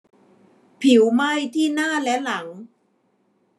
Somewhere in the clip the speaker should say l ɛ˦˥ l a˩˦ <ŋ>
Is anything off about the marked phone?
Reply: no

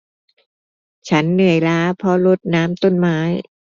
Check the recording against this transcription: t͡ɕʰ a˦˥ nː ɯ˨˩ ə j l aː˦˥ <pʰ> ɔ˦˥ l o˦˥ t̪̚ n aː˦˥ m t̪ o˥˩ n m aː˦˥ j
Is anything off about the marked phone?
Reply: no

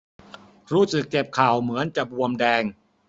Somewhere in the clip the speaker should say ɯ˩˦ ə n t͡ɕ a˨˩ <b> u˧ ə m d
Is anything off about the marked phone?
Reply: no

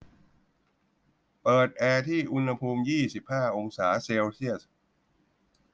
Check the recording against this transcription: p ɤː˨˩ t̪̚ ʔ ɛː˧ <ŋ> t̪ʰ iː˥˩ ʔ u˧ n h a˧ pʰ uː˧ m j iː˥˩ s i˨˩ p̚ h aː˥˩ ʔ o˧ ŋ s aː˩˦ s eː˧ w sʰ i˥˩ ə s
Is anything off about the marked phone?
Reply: yes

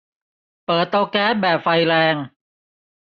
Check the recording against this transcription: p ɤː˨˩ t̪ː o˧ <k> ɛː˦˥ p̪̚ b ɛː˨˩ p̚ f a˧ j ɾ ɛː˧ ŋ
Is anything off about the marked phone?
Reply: no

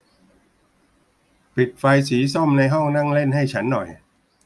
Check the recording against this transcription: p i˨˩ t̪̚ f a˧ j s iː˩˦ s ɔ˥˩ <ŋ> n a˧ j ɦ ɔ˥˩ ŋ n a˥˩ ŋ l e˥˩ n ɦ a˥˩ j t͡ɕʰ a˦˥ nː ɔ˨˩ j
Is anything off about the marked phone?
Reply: yes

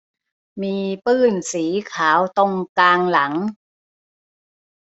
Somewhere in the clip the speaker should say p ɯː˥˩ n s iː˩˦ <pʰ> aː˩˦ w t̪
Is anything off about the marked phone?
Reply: yes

